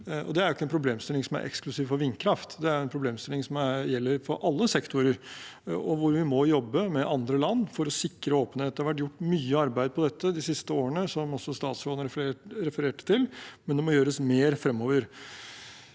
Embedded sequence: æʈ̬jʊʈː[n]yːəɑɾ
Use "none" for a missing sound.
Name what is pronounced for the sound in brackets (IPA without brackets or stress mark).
m